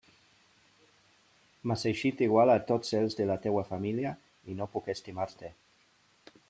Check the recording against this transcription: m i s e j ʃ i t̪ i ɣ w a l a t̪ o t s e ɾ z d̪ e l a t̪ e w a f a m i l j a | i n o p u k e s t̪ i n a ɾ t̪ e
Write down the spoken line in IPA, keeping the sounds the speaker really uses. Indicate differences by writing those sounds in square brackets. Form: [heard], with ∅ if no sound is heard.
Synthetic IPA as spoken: m [a] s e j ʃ i t̪ i ɣ w a l a t̪ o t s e [l] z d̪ e l a t̪ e w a f a m i l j a | i n o p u k e s t̪ i [m] a ɾ t̪ e